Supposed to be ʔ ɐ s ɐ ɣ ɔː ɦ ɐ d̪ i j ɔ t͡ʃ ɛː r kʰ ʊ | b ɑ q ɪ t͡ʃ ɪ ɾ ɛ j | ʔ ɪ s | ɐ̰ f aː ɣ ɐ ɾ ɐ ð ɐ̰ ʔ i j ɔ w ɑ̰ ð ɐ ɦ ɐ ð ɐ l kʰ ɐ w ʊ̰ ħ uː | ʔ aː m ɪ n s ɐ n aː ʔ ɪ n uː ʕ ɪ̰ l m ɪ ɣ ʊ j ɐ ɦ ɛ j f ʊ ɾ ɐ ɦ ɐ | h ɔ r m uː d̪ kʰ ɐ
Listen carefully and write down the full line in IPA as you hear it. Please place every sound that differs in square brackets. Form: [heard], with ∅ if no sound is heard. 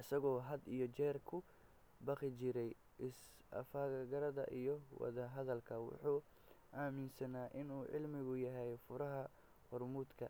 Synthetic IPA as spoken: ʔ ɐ s ɐ ɣ ɔː ɦ ɐ d̪ i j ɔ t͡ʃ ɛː r kʰ ʊ | b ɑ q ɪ t͡ʃ ɪ ɾ ɛ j | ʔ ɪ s | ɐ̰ f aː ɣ ɐ ɾ ɐ ð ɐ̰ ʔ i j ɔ w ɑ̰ ð ɐ ɦ ɐ ð ɐ l kʰ ɐ w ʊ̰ ħ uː | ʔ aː m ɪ n s ɐ n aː ʔ ɪ n uː ʕ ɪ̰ l m ɪ ɣ ʊ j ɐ ɦ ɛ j f ʊ ɾ ɐ ɦ ɐ | h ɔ r m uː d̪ kʰ ɐ